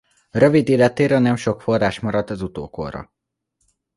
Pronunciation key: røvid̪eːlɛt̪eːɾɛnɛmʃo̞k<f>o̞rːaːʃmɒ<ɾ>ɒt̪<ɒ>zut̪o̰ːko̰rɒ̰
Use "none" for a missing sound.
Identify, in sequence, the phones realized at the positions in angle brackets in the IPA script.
f, ɾ, ɒ

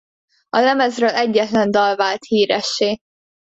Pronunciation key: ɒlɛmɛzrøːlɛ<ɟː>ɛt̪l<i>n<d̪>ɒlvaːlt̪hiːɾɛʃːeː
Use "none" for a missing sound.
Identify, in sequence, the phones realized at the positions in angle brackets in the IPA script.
ɟː, ɛ, d̪

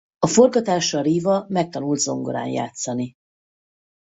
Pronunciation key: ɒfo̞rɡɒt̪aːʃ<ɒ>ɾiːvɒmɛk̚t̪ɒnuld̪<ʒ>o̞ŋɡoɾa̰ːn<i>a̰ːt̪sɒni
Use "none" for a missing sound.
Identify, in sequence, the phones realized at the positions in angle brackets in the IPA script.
ɒ, z, j

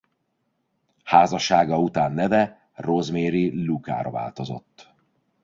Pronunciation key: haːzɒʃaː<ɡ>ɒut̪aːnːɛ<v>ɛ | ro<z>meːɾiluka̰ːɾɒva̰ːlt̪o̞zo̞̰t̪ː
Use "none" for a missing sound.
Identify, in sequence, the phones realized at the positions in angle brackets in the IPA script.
ɡ, v, z

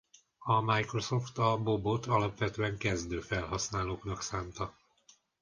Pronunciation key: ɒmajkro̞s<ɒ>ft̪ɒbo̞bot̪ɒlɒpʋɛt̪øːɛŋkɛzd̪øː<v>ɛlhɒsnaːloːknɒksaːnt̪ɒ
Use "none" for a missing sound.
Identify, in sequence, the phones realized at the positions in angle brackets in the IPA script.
o, f

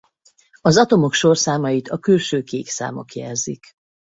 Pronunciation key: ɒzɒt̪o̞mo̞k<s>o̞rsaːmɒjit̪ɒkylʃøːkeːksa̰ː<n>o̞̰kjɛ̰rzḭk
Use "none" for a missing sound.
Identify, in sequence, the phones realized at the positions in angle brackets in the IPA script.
ʃ, m

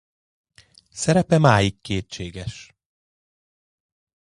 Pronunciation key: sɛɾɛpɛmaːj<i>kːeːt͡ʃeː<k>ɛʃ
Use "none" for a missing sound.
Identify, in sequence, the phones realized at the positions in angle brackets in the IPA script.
i, ɡ

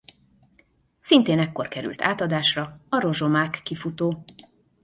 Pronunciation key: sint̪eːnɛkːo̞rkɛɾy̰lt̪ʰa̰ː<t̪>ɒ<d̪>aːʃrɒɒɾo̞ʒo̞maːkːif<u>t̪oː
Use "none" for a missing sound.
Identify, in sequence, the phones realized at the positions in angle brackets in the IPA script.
t̪, d̪, u

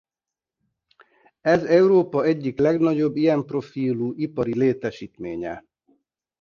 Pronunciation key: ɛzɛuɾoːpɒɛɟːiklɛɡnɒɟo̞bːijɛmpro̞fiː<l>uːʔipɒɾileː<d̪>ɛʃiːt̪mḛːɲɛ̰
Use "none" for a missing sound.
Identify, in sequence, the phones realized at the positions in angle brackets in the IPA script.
l, t̪

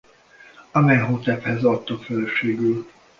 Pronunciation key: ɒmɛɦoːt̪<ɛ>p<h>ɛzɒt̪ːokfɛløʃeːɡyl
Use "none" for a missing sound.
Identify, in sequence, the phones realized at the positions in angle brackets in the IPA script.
ɛ, h

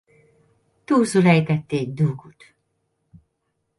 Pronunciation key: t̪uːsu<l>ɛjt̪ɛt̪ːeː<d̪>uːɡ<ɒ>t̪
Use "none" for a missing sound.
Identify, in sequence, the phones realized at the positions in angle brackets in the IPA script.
l, d̪, u

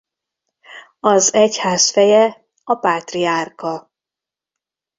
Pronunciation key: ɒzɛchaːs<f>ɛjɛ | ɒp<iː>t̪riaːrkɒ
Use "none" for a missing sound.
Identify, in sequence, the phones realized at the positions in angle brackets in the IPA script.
f, aː

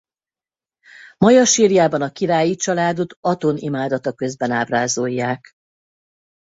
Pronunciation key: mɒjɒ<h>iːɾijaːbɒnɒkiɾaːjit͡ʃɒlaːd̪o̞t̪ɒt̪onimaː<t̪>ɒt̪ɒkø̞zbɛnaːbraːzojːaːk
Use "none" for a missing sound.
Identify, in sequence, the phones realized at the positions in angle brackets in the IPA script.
ʃ, d̪

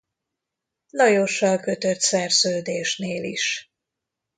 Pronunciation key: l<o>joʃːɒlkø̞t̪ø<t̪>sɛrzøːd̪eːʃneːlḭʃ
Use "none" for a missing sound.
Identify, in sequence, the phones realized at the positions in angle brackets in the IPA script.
ɒ, t̪

